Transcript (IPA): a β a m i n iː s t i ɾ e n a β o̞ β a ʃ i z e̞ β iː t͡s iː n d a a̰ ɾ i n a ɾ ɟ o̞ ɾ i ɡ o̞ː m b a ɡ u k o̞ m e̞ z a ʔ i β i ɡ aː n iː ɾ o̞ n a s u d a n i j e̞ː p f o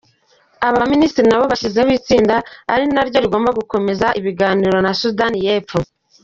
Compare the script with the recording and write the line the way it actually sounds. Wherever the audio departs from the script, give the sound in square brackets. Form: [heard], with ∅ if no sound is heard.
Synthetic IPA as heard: a β a m i n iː s t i ɾ [i] n a β o̞ β a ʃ i z e̞ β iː t͡s iː n d a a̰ ɾ i n a ɾ ɟ o̞ ɾ i ɡ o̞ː m b a ɡ u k o̞ m e̞ z a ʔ i β i ɡ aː n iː ɾ o̞ n a s u d a n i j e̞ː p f o